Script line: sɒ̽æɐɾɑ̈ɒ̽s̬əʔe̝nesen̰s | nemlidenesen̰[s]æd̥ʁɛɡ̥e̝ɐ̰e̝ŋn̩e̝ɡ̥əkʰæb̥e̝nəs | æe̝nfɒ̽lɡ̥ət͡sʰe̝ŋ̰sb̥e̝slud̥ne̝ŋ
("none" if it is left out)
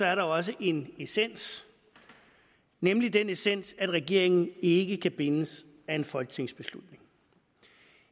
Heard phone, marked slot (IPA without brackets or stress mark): s